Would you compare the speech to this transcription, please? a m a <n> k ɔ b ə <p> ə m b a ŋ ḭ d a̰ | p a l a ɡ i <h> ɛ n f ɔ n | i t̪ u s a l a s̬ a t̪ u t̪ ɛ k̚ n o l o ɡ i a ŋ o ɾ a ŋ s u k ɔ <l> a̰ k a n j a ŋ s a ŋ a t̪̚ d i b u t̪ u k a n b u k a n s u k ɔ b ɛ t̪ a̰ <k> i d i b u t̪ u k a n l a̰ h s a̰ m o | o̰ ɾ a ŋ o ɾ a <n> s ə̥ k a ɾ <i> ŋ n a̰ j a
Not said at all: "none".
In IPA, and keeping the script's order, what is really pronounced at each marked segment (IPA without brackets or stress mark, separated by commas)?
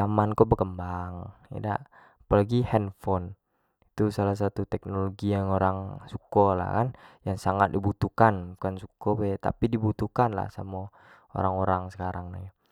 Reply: n, k, h, l, p, ŋ, a